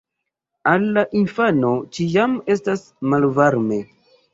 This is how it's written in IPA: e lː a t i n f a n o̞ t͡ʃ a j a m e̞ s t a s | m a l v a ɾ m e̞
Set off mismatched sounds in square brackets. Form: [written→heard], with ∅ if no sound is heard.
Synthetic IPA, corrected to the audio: [e→a] lː a [t→ʔ] i n f a n o̞ t͡ʃ [a→i] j a m e̞ s t a s | m a l v a ɾ m e̞